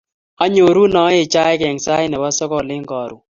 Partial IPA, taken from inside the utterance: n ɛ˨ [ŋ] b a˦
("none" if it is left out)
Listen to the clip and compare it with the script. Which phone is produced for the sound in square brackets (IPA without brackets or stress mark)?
none